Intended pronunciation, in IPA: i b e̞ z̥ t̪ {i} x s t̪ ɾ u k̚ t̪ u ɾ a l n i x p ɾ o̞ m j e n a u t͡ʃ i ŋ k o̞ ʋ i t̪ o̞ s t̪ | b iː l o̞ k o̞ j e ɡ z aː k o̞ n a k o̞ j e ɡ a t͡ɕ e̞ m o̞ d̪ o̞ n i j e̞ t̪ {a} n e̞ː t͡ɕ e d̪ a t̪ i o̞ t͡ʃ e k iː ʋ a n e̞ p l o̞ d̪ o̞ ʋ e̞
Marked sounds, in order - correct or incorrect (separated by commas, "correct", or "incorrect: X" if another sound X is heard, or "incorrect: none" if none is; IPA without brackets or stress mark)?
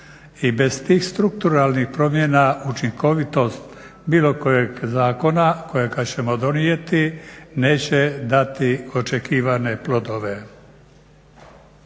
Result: incorrect: iː, incorrect: i